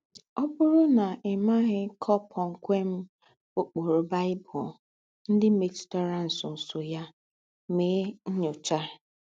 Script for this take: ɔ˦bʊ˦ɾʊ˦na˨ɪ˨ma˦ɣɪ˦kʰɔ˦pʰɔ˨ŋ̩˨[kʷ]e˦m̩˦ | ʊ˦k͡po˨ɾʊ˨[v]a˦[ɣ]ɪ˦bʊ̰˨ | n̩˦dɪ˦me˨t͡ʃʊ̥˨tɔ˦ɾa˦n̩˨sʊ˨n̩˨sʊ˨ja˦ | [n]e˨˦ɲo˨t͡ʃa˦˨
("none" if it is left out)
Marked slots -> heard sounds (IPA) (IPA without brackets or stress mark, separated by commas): kʷ, b, none, m